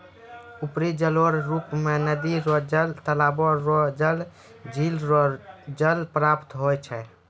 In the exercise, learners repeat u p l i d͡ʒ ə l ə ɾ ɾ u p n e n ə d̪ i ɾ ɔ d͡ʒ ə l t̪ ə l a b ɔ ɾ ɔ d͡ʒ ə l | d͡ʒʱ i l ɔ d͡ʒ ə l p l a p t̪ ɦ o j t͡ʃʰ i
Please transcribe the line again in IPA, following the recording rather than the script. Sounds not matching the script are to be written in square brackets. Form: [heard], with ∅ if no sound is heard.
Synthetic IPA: u p [ɾ] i d͡ʒ ə l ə ɾ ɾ u p [m] e n ə d̪ i ɾ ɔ d͡ʒ ə l t̪ ə l a b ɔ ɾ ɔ d͡ʒ ə l | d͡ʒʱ i l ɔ d͡ʒ ə l p [ɾ] a p t̪ ɦ o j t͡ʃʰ [ɛ]